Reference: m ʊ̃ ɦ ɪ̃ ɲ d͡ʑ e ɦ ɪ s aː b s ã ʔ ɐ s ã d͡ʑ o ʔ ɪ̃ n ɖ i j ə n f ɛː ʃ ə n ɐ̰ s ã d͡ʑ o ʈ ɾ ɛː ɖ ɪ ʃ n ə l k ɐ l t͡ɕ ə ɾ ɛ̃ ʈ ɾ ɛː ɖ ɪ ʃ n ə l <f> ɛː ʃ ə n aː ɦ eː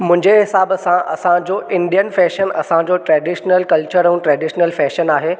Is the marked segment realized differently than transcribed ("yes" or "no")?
no